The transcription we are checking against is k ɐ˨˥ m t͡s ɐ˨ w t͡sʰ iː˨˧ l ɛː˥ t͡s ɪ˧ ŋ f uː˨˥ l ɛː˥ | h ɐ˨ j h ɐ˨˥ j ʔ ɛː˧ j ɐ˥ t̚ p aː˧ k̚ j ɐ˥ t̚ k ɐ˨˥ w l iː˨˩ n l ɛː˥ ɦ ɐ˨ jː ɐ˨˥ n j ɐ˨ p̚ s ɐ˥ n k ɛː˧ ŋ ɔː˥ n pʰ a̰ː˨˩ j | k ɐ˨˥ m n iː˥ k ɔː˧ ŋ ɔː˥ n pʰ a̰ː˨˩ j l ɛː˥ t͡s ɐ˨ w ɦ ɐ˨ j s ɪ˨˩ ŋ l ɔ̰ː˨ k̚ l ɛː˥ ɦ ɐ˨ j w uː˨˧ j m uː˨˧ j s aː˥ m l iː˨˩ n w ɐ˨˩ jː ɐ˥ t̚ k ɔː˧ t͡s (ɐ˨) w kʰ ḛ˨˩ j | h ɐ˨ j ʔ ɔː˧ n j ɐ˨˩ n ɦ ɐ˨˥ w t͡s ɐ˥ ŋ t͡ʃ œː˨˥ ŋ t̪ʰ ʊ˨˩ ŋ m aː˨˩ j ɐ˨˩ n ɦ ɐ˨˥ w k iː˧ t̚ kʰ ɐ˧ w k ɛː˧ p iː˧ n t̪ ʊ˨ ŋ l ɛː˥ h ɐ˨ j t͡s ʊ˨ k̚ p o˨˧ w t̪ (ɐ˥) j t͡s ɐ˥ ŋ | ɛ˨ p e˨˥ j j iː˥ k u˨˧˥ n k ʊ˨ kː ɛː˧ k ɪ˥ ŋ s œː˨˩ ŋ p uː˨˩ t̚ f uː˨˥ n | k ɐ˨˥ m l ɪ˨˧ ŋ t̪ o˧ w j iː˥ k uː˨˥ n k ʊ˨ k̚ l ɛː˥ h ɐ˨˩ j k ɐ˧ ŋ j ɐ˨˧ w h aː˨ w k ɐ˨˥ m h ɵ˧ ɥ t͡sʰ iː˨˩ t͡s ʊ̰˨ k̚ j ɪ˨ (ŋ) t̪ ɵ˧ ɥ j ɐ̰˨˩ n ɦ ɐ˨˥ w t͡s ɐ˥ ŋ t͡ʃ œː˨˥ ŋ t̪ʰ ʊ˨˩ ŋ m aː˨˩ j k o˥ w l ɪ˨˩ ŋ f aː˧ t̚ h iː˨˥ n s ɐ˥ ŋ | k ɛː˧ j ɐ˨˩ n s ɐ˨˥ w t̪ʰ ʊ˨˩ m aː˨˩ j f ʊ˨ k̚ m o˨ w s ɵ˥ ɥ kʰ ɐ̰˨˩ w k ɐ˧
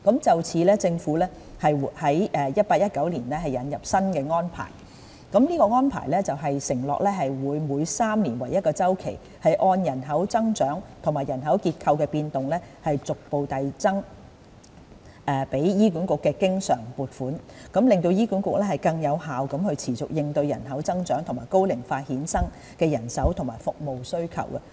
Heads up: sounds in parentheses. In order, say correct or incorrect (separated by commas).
incorrect, incorrect, correct